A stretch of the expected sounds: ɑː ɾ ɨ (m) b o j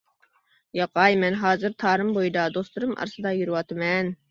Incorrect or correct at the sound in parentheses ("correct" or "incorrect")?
correct